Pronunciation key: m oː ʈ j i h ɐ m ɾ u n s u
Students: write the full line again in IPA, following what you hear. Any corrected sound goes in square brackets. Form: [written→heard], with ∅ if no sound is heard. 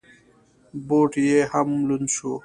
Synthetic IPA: [m→b] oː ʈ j [i→e] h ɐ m [ɾ→l] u n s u

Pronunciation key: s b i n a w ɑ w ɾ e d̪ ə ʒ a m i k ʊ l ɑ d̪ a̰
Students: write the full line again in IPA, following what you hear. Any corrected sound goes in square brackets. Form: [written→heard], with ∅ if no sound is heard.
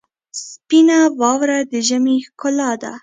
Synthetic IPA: s [b→p] i n a w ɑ w ɾ [e→a] d̪ ə ʒ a m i k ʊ l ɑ d̪ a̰

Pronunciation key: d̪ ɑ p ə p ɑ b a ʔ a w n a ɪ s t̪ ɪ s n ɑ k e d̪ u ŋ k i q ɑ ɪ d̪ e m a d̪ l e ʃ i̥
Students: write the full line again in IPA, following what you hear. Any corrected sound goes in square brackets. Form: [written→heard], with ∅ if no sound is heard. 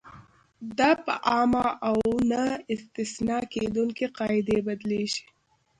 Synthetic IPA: d̪ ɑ p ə [p→ʔ] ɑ [b→m] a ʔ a w n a ɪ s t̪ ɪ s n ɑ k e d̪ u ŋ k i q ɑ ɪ d̪ e [m→b] a d̪ l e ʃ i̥

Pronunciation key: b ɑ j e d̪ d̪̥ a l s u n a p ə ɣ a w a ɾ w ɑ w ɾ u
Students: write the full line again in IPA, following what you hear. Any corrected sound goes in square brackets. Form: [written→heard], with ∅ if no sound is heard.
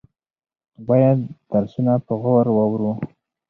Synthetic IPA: b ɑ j [e→a] d̪ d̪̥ a [l→ɾ] s u n a p ə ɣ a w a ɾ w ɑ w ɾ u

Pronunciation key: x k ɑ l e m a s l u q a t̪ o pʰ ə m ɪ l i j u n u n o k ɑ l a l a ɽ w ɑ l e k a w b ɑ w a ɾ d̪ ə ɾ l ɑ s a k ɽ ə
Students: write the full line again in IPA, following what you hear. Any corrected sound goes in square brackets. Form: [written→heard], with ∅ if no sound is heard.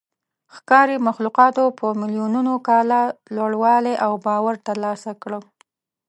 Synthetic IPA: x k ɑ [l→ɾ] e m a [s→x] l u q [a→ɑ] t̪ o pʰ ə m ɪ l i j u n u n o k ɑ l a l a ɽ w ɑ l e [k→ʔ] a w b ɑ w a ɾ [d̪→t̪] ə ɾ l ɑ s a k ɽ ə

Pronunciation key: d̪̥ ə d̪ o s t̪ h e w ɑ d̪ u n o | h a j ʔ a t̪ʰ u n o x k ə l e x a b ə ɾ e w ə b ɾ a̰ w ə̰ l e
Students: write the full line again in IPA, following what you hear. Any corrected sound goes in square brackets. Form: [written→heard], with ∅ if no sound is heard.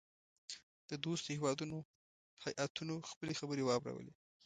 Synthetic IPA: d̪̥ ə d̪ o s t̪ h e w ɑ d̪ u n o | h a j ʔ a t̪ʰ u n o x [k→p] ə l e x a b ə ɾ e w [ə→ɑ] b ɾ a̰ w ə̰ l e

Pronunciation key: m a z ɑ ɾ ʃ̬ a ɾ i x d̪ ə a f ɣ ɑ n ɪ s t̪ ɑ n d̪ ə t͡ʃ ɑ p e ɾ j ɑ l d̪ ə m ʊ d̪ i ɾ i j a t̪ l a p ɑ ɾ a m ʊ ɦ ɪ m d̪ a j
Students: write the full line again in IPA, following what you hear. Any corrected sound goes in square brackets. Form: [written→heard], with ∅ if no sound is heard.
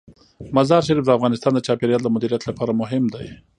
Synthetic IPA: m a z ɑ ɾ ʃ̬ a ɾ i [x→f] d̪ ə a f ɣ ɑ n ɪ s t̪ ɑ n d̪ ə t͡ʃ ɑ p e ɾ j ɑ l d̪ ə m ʊ d̪ i ɾ i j a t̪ l a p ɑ ɾ a m ʊ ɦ ɪ m d̪ a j

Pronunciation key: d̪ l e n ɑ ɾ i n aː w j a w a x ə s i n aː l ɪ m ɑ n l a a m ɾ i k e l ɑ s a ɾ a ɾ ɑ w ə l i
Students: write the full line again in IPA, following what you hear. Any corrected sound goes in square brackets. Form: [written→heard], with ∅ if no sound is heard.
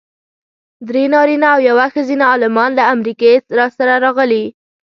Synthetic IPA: d̪ [l→ɾ] e n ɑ ɾ i n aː w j a w a x ə [s→z] i n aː l ɪ m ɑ n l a a m ɾ i k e [l→ɾ] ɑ s a ɾ a ɾ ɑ [w→ɣ] ə l i

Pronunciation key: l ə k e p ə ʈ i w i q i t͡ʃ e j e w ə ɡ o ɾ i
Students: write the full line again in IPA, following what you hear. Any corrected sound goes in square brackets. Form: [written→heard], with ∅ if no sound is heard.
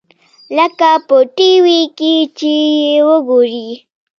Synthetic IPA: l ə k [e→a] p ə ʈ i w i [q→k] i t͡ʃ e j e w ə ɡ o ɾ i

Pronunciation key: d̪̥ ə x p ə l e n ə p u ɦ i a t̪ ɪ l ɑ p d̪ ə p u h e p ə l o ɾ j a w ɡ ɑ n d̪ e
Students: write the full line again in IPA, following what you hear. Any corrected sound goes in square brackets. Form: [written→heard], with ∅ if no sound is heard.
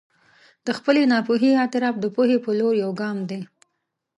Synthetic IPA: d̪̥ ə x p ə l e n [ə→ɑ] p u ɦ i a t̪ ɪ [l→ɾ] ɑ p d̪ ə p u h e p ə l o ɾ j a w ɡ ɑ [n→m] d̪ e

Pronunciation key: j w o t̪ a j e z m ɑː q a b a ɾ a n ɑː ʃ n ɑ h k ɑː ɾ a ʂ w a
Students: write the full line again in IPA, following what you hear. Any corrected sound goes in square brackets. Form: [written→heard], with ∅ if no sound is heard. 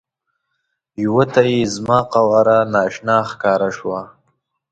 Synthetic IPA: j w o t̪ a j e z m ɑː q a [b→w] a ɾ a n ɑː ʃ n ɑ [h→x] k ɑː ɾ a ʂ w a

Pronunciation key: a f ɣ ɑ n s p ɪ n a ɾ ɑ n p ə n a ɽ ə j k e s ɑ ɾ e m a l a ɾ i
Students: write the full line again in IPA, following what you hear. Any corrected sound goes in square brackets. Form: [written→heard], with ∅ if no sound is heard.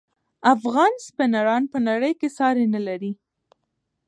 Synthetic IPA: a f ɣ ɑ n s p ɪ n a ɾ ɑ n p ə n a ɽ ə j k e s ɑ ɾ e [m→n] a l a ɾ i

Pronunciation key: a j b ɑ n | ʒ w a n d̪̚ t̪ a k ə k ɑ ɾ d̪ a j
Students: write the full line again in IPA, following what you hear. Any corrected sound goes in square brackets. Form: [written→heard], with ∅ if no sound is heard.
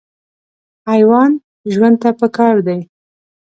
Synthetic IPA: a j [b→w] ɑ n | ʒ w a n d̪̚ t̪ a [k→p] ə k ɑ ɾ d̪ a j

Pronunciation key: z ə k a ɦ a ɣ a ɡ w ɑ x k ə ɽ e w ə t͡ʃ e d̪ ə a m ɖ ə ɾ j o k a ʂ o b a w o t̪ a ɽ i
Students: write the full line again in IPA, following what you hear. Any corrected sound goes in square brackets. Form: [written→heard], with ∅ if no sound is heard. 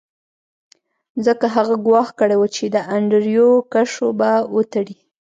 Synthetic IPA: z ə k a ɦ a ɣ a ɡ w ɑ x k ə ɽ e w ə t͡ʃ e d̪ ə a [m→ɳ] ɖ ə ɾ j o k a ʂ o b a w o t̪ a ɽ i

